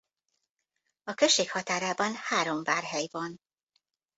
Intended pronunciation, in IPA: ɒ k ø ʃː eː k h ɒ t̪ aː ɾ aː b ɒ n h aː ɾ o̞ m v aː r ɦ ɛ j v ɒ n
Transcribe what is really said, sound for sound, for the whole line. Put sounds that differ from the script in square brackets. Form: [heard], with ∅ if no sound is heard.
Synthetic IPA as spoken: ɒ k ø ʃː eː k h ɒ t̪ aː ɾ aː b ɒ n h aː ɾ o̞ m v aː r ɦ ɛ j v ɒ n

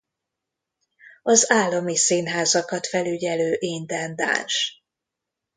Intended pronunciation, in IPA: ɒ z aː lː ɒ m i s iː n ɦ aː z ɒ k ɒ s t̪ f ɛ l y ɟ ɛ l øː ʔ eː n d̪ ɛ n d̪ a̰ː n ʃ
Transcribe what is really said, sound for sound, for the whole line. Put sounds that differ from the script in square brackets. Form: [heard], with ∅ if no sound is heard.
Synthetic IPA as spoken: ɒ z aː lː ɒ m i s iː n ɦ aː z ɒ k ɒ [∅] t̪ f ɛ l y ɟ ɛ l øː ʔ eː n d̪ ɛ n d̪ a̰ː n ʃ

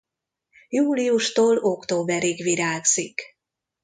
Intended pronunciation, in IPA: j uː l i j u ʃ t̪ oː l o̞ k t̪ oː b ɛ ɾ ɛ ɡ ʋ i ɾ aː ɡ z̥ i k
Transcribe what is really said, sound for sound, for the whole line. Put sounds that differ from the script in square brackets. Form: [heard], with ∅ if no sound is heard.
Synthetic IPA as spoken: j uː l i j u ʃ t̪ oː l o̞ k t̪ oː b ɛ ɾ [i] ɡ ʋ i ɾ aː ɡ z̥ i k

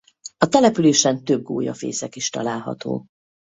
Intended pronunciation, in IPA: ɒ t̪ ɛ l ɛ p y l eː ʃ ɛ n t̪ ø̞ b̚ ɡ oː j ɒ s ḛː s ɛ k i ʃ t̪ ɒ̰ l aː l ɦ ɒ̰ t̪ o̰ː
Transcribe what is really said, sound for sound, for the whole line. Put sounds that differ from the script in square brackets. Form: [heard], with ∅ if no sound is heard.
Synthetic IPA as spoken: ɒ t̪ ɛ l ɛ p y l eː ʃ ɛ n t̪ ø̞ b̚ ɡ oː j ɒ [f] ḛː s ɛ k i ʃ t̪ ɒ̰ l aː l ɦ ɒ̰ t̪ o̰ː

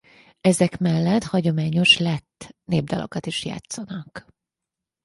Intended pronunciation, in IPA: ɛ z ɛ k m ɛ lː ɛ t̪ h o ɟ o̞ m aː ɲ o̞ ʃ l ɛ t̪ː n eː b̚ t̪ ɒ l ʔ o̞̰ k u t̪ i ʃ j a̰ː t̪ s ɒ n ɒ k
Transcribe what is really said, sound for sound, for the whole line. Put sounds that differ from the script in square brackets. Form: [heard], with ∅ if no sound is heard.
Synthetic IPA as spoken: ɛ z ɛ k m ɛ lː ɛ t̪ h [ɒ] ɟ o̞ m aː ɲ o̞ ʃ l ɛ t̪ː n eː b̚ [d̪] ɒ l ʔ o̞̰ k [ɒ] t̪ i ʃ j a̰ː t̪ s ɒ n ɒ k

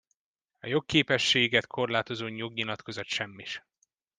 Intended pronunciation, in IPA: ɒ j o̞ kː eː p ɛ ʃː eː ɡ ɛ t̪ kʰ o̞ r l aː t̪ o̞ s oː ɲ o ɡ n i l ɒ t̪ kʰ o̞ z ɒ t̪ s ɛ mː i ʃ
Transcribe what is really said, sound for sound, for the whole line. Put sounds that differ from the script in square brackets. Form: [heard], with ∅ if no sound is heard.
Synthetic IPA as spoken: ɒ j o̞ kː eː p ɛ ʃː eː ɡ ɛ t̪ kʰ o̞ r l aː t̪ o̞ [z] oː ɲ o ɡ [ɲ] i l ɒ t̪ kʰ o̞ z ɒ t̪ [ʃ] ɛ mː i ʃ

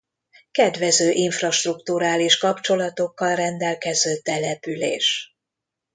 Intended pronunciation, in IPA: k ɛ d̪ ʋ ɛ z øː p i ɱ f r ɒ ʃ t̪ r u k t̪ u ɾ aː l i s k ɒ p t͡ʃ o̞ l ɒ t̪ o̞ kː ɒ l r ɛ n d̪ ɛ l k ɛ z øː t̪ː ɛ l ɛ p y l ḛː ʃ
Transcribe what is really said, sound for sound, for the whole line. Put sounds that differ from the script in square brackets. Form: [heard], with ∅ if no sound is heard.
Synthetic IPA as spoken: k ɛ d̪ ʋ ɛ z øː [ʔ] i ɱ f r ɒ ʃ t̪ r u k t̪ u ɾ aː l i [ʃ] k ɒ p t͡ʃ o̞ l ɒ t̪ o̞ kː ɒ l r ɛ n d̪ ɛ l k ɛ z øː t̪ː ɛ l ɛ p y l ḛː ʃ

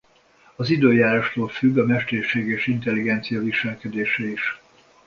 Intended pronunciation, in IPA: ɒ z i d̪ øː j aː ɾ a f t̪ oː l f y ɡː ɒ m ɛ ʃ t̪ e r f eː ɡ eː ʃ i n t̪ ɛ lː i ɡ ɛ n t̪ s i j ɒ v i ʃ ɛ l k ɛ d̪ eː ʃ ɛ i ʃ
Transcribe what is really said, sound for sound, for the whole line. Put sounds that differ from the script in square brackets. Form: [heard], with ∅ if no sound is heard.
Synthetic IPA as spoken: ɒ z i d̪ øː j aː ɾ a [ʃ] t̪ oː l f y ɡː ɒ m ɛ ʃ t̪ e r [ʃ] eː ɡ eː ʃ i n t̪ ɛ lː i ɡ ɛ n t̪ s i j ɒ v i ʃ ɛ l k ɛ d̪ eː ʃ ɛ i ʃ

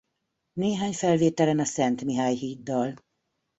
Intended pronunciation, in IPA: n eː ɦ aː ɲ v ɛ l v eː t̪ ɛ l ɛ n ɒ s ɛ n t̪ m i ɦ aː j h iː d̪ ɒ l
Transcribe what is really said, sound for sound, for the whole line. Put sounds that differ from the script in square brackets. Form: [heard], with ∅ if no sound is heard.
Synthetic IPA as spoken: n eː ɦ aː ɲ [f] ɛ l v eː t̪ ɛ l ɛ n ɒ s ɛ n t̪ m i ɦ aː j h iː [d̪ː] ɒ l

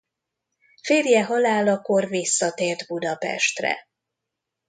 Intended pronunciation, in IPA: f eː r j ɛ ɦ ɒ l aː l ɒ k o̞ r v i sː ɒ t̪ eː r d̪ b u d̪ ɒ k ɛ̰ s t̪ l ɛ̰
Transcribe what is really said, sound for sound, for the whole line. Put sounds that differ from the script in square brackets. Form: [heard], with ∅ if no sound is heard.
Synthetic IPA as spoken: f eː r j ɛ ɦ ɒ l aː l ɒ k o̞ r v i sː ɒ t̪ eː r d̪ b u d̪ ɒ [p] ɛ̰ [ʃ] t̪ [r] ɛ̰

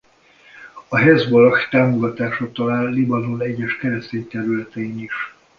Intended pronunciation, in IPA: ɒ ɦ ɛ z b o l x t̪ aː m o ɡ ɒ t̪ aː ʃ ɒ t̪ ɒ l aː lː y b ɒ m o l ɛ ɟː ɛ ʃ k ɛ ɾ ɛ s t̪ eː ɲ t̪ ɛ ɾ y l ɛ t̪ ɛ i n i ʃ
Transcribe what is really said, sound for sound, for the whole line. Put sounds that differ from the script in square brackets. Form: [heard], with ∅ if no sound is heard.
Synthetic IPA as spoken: ɒ ɦ ɛ z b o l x t̪ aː m o ɡ ɒ t̪ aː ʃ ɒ t̪ ɒ l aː lː [i] b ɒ [n] o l ɛ ɟː ɛ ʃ k ɛ ɾ ɛ s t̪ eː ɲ t̪ ɛ ɾ y l ɛ t̪ ɛ i n i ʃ

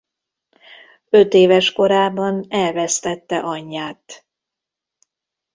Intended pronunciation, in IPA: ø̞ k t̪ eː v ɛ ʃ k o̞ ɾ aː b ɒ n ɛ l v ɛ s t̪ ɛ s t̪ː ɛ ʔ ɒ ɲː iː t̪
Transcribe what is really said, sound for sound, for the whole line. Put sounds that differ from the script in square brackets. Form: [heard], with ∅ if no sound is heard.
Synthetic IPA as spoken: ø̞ [∅] t̪ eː v ɛ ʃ k o̞ ɾ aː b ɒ n ɛ l v ɛ s t̪ ɛ [∅] t̪ː ɛ ʔ ɒ ɲː [aː] t̪

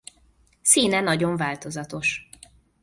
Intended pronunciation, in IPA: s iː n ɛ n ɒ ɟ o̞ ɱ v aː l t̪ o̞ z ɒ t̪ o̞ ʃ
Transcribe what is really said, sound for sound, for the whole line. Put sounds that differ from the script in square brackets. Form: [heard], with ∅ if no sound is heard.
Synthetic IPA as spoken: s iː n ɛ n ɒ ɟ o̞ ɱ v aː l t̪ o̞ z ɒ t̪ o̞ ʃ

